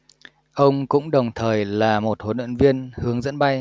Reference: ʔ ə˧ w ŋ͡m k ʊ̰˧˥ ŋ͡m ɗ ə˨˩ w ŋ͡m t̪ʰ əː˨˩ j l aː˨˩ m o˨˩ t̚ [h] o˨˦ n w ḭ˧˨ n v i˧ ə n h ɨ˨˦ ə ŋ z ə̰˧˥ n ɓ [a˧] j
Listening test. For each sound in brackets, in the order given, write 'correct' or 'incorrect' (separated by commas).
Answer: correct, correct